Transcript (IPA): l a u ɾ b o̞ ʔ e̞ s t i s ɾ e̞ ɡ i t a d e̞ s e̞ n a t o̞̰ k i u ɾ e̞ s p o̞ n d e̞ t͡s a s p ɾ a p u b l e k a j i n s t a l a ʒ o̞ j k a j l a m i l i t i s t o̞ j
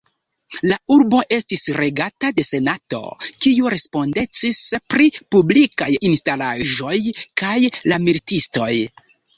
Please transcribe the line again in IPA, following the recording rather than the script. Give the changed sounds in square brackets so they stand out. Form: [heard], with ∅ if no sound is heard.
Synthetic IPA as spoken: l a u ɾ b o̞ ʔ e̞ s t i s ɾ e̞ ɡ [a] t a d e̞ s e̞ n a t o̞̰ k i u ɾ e̞ s p o̞ n d e̞ t͡s [i] s p ɾ [i] p u b l [i] k a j i n s t a l a ʒ o̞ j k a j l a m i l i t i s t o̞ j